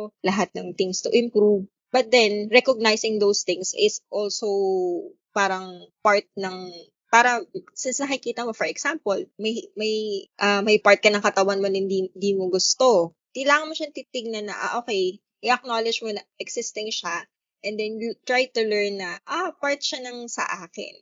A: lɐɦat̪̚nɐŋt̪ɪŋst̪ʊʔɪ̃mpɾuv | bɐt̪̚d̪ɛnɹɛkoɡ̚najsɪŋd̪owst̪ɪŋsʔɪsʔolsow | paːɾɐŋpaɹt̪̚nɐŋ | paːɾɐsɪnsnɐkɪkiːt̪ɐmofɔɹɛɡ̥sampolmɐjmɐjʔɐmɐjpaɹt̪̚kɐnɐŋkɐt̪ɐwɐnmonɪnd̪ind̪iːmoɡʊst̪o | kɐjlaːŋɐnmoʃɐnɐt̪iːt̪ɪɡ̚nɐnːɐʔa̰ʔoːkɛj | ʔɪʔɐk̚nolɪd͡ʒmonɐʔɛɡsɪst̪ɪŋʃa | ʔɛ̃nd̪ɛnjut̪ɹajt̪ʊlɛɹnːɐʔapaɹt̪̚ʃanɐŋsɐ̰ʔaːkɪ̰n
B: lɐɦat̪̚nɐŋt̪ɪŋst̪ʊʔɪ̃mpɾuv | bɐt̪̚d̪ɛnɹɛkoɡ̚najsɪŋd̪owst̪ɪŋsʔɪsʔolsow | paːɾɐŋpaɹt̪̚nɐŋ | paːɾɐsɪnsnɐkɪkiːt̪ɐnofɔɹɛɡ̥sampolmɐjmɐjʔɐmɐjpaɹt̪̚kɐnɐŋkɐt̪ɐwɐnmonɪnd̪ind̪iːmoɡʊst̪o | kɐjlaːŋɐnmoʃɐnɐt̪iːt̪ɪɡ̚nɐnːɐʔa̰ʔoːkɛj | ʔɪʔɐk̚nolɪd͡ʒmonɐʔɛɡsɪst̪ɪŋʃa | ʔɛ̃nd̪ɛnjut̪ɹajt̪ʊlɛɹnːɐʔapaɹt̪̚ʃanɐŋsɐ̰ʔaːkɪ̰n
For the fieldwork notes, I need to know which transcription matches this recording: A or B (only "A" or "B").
A